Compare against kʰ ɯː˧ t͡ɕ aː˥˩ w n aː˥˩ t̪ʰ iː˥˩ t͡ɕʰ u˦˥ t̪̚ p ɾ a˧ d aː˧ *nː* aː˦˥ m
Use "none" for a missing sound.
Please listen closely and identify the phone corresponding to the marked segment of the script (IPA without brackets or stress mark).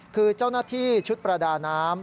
n